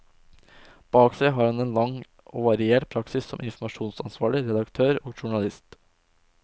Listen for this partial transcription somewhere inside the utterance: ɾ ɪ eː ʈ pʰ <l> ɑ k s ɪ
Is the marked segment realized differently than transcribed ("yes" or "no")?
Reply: yes